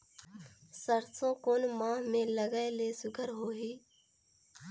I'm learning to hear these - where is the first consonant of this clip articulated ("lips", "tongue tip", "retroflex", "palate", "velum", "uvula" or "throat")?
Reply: tongue tip